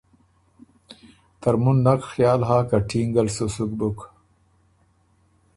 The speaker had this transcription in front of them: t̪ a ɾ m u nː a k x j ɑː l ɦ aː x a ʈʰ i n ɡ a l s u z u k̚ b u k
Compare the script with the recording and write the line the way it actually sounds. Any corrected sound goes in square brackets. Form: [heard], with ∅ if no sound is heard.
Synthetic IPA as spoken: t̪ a ɾ m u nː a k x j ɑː l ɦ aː [k] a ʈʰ i [ŋ] ɡ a l s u [s] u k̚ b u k